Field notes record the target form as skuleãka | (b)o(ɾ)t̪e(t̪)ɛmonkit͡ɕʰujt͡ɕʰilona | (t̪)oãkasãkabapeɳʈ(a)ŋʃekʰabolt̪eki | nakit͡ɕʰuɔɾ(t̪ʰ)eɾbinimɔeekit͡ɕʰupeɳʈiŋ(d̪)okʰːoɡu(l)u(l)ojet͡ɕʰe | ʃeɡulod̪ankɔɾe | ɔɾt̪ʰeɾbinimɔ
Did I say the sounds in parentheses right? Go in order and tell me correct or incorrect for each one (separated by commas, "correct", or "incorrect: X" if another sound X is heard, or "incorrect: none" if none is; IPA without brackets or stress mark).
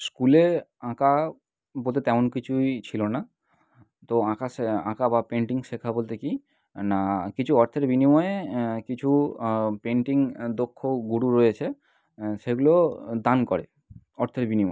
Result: correct, incorrect: l, correct, correct, incorrect: i, correct, correct, incorrect: ɽ, incorrect: ɾ